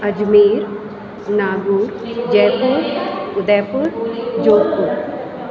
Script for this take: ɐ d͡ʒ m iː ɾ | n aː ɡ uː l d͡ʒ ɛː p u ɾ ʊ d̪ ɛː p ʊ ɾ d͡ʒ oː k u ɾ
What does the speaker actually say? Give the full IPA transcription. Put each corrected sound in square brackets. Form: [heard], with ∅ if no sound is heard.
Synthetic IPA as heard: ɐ d͡ʒ m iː ɾ | n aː ɡ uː [ɾ] d͡ʒ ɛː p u ɾ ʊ d̪ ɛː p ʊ ɾ d͡ʒ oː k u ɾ